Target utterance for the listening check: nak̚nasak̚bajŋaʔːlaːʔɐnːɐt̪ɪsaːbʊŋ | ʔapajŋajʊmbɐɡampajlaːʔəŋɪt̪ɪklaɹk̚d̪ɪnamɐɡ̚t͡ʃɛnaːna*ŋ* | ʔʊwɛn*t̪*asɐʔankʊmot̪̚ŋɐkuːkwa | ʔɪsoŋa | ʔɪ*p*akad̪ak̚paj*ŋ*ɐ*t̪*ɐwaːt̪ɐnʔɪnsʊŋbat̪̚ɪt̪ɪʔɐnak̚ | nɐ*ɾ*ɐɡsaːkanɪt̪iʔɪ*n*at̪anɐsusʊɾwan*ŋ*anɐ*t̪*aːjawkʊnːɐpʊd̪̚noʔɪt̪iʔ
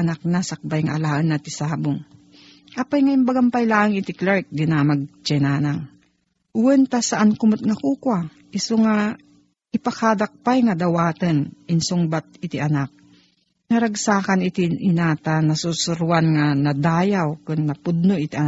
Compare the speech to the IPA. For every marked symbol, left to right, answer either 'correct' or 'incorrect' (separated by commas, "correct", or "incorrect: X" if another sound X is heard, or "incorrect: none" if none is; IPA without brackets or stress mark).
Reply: correct, correct, correct, correct, incorrect: d̪, correct, correct, correct, incorrect: d̪